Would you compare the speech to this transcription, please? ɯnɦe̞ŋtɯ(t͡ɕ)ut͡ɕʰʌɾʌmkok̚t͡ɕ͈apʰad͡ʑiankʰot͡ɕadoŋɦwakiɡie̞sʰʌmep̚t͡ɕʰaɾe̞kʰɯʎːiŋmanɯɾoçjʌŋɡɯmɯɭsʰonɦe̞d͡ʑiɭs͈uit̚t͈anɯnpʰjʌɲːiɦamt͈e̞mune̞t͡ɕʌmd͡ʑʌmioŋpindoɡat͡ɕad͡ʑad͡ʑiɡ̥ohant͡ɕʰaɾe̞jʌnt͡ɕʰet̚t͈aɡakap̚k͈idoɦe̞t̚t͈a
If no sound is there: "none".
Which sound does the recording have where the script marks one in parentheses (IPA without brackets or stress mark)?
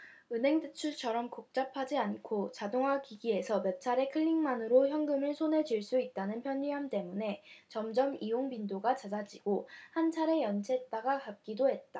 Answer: t͡ɕʰ